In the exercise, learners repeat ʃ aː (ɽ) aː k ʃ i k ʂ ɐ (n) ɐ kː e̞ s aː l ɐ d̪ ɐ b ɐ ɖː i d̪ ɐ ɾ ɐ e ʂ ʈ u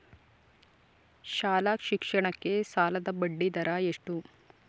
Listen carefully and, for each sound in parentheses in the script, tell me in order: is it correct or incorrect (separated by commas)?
incorrect, incorrect